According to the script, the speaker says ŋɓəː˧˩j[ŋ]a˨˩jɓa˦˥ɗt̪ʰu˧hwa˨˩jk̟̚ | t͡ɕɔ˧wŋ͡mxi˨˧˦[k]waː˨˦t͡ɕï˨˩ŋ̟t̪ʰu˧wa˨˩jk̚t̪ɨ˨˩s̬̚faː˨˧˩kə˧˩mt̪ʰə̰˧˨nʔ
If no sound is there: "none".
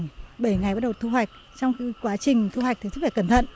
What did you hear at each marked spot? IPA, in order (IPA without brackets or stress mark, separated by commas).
ŋ, k